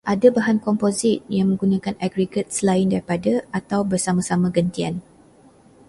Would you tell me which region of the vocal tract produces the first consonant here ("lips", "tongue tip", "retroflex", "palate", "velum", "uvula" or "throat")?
throat